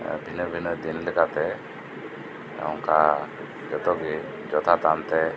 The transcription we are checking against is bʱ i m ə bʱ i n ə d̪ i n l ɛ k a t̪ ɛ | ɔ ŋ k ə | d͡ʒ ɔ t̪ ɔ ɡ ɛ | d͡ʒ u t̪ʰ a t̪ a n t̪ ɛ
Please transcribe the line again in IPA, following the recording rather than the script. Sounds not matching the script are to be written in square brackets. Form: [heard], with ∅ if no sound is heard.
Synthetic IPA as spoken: bʱ i [n] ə bʱ i n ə d̪ i n l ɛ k a t̪ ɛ | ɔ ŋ k [a] | d͡ʒ ɔ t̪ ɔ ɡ [i] | d͡ʒ [ɔ] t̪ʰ a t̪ a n t̪ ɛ